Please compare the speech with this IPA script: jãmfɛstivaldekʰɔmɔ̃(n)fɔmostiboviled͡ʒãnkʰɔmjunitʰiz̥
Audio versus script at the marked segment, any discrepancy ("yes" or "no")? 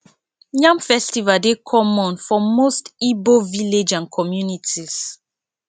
no